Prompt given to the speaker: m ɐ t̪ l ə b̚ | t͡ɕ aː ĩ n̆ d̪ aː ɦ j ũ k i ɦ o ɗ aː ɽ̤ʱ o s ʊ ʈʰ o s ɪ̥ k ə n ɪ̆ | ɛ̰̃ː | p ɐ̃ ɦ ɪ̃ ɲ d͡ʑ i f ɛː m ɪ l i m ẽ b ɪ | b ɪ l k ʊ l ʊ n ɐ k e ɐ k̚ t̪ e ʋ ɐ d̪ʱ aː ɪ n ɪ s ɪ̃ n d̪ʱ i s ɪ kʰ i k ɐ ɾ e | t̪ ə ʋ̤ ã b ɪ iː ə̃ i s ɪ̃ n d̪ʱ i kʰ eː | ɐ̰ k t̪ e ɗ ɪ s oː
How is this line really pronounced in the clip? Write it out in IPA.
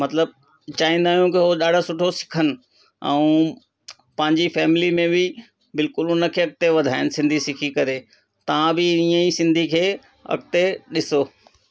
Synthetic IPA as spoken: m ɐ t̪ l ə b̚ | t͡ɕ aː ĩ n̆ d̪ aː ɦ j ũ k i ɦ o ɗ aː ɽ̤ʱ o s ʊ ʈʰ o s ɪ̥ kʰ ə n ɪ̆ | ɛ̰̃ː | p ɐ̃ ɦ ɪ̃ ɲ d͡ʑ i f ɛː m ɪ l i m ẽ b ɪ | b ɪ l k ʊ l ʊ n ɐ kʰ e ɐ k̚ t̪ e ʋ ɐ d̪ʱ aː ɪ n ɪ s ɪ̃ n d̪ʱ i s ɪ kʰ i k ɐ ɾ e | t̪ ɐ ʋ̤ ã b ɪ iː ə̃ i s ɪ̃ n d̪ʱ i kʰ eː | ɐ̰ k t̪ e ɗ ɪ s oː